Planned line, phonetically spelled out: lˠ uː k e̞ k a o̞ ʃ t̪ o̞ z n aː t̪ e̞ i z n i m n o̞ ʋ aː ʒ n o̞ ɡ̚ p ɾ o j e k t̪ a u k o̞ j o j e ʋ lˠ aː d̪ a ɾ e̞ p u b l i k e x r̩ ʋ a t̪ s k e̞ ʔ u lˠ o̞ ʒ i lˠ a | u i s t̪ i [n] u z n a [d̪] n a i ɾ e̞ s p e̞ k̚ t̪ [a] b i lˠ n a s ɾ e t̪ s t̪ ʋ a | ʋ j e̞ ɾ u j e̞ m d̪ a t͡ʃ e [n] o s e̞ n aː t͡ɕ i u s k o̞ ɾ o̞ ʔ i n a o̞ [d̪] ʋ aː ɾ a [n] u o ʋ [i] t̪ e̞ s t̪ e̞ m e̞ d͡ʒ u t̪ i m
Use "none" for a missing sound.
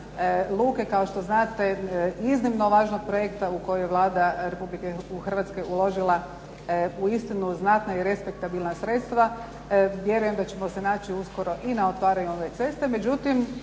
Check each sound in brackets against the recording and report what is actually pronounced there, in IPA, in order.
n, t̪, a, m, t̪, ɲ, e

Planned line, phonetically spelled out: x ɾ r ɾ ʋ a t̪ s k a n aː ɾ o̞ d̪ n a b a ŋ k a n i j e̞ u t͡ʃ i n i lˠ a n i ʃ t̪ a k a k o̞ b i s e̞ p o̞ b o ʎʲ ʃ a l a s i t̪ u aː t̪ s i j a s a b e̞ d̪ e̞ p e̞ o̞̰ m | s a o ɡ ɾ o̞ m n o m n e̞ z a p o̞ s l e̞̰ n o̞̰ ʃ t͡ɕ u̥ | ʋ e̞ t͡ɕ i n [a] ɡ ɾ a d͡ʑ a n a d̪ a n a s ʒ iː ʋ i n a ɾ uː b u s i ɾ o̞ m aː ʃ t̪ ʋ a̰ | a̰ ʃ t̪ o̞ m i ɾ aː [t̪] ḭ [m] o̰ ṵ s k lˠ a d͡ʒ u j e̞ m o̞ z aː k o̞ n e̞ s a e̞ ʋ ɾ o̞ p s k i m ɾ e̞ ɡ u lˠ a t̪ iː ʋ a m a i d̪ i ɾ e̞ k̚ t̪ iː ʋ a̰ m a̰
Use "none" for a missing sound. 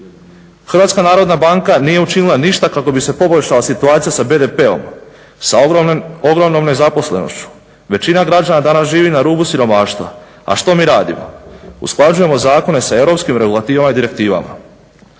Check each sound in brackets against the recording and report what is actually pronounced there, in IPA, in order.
a, d̪, m

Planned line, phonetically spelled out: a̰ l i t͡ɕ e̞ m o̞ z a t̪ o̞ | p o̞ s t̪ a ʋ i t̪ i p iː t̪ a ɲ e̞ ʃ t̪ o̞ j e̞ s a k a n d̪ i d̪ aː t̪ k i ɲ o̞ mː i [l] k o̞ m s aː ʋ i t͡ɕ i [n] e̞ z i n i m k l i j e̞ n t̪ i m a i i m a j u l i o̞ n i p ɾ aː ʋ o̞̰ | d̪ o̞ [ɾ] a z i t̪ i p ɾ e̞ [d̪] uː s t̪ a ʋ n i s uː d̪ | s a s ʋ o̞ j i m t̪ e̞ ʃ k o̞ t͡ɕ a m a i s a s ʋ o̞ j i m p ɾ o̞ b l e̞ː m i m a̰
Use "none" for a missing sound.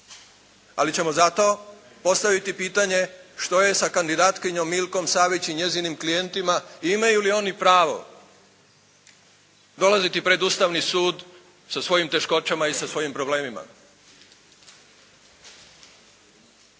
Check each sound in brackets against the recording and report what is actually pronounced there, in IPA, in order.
l, ɲ, l, d̪

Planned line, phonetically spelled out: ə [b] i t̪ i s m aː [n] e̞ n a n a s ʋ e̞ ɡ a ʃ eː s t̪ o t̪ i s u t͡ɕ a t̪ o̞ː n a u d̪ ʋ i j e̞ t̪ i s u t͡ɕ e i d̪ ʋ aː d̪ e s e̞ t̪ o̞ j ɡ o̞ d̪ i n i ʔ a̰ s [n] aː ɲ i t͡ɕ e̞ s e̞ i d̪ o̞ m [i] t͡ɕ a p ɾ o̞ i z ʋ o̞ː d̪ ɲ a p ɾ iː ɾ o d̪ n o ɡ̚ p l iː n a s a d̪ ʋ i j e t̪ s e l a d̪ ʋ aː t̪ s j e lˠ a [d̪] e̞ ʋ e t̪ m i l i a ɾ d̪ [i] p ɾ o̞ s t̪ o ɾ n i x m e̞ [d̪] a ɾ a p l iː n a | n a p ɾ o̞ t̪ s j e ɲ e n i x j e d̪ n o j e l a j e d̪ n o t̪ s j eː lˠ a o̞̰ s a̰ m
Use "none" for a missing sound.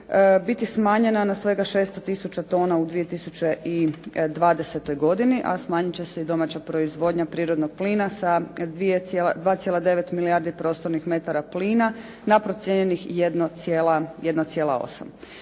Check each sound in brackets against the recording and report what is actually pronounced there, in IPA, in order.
b, ɲ, m, a, d̪, i, t̪

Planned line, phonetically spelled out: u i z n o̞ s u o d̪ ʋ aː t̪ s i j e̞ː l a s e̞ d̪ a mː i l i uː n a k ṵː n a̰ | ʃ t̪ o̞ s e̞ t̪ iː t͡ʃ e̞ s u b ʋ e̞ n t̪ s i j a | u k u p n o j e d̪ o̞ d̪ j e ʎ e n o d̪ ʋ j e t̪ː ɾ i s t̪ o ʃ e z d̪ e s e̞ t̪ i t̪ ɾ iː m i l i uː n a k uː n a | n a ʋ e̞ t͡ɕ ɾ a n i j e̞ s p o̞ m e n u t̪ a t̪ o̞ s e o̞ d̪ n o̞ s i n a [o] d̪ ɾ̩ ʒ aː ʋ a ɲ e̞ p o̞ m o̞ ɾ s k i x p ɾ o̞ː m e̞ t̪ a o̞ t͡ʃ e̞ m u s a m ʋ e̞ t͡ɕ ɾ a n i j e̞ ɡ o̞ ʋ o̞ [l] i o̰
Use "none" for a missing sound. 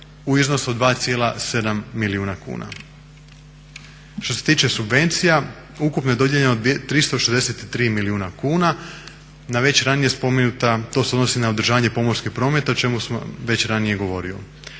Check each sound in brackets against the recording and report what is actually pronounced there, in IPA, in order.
o, ɾ

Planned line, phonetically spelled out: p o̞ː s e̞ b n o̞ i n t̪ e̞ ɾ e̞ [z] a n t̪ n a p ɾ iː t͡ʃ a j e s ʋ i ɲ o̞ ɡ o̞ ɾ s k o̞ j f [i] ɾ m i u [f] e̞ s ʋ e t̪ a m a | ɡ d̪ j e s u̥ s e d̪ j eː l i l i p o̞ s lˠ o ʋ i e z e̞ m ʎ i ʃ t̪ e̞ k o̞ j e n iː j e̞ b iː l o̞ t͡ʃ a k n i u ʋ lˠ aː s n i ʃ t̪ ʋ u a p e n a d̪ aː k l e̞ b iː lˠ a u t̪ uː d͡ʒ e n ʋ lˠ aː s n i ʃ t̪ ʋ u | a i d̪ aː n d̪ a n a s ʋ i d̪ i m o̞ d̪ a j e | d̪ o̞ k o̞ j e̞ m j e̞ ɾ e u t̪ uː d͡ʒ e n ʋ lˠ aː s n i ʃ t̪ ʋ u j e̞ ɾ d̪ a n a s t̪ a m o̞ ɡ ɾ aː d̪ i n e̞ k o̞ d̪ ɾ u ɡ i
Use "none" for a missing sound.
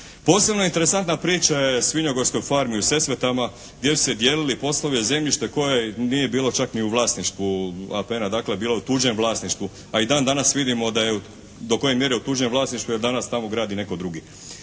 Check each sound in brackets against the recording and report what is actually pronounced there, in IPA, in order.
s, a, s

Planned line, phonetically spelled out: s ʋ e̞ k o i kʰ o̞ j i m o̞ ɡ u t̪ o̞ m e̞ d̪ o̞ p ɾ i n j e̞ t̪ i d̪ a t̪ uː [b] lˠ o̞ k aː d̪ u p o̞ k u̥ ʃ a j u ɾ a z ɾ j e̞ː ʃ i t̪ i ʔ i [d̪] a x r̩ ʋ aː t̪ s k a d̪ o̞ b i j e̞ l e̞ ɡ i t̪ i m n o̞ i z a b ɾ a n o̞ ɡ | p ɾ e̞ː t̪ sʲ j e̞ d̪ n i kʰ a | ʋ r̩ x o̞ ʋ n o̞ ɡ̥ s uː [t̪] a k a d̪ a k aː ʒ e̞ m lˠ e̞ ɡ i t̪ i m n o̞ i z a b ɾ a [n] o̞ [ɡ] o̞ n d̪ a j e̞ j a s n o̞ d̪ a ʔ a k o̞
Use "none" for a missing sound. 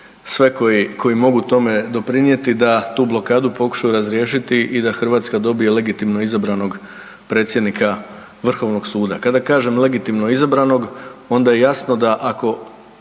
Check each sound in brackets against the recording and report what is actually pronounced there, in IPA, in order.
b, d̪, d̪, n, ɡ

